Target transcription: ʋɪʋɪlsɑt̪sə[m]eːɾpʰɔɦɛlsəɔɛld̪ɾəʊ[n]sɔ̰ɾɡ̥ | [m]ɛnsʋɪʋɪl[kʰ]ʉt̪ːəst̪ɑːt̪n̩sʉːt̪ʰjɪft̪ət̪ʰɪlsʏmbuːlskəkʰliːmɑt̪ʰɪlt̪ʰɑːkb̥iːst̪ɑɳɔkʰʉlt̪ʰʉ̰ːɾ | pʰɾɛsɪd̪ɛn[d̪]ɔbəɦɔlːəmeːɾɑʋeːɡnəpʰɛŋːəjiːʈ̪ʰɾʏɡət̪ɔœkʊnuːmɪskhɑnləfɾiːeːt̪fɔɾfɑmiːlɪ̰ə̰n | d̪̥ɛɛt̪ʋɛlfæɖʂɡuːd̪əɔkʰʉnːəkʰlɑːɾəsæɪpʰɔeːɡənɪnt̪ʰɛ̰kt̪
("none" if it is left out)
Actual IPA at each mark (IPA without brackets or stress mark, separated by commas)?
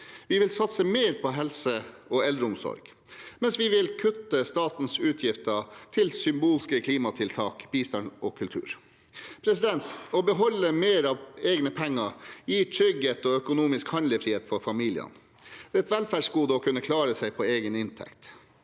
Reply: m, m, m, kʰ, t̪